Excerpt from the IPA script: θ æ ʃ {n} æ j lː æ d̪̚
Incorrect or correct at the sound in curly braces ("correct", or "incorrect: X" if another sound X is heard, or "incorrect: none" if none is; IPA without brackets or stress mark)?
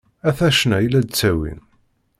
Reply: correct